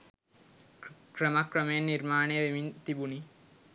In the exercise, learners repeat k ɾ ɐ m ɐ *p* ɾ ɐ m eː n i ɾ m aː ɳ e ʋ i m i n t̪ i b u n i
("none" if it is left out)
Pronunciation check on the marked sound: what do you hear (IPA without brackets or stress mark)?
k